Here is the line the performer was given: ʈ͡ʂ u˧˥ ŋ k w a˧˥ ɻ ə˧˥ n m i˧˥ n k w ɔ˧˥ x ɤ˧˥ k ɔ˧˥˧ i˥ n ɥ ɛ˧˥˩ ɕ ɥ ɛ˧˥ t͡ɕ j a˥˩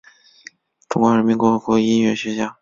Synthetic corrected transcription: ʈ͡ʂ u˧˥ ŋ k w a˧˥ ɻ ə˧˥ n m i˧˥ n k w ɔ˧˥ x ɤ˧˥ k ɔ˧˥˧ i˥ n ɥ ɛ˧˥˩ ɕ ɥ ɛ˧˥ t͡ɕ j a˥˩